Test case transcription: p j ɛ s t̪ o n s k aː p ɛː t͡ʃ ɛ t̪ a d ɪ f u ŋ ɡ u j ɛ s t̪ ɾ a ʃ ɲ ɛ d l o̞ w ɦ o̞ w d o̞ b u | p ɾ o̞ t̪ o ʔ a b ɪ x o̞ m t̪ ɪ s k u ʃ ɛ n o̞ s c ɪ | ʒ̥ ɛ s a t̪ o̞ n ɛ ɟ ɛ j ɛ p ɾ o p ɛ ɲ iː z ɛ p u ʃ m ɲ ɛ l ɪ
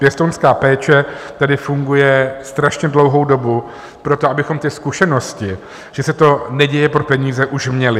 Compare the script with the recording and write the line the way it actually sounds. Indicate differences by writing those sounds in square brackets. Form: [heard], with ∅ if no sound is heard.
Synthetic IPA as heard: p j ɛ s t̪ o n s k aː p ɛː t͡ʃ ɛ t̪ a d ɪ f u ŋ ɡ u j ɛ s t̪ ɾ a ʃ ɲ ɛ d l o̞ w ɦ o̞ w d o̞ b u | p ɾ o̞ t̪ o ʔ a b ɪ x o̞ m t̪ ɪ s k u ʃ ɛ n o̞ s c ɪ | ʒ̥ ɛ s [ɛ] t̪ o̞ n ɛ ɟ ɛ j ɛ p ɾ o p ɛ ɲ iː z ɛ [ʔ] u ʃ m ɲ ɛ l ɪ

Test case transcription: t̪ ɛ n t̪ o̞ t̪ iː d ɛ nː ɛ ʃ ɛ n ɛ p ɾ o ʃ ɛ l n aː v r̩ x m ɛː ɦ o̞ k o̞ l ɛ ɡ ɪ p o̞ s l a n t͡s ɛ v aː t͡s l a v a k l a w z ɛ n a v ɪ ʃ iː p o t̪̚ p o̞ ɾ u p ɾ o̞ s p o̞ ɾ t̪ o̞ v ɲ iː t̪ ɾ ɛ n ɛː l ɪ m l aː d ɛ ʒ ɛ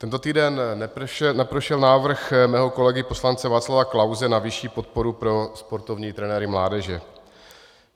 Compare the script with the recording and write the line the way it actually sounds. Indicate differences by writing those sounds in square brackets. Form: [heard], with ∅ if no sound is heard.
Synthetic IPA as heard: t̪ ɛ n t̪ o̞ t̪ iː d ɛ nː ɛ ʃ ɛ n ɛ p ɾ o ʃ ɛ l n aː v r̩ x m ɛː ɦ o̞ k o̞ l ɛ ɡ ɪ p o̞ s l a n t͡s ɛ v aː t͡s l a v a k l a w z ɛ n a v ɪ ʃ iː p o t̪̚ p o̞ ɾ u p ɾ o̞ s p o̞ ɾ t̪ o̞ v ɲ iː t̪ ɾ ɛ n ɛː [ɾ] ɪ m l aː d ɛ ʒ ɛ

